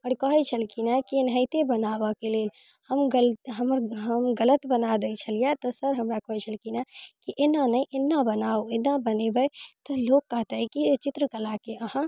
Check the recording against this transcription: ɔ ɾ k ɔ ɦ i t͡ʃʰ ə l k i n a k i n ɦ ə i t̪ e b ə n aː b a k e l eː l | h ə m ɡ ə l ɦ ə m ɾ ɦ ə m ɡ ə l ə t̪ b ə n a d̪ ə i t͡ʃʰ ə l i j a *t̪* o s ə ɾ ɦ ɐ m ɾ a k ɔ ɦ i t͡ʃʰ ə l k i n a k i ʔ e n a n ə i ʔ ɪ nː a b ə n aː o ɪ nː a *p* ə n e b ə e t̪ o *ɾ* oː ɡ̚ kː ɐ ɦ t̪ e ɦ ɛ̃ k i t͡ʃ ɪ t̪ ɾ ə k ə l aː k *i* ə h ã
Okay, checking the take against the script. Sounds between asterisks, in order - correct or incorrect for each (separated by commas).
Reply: correct, incorrect, incorrect, incorrect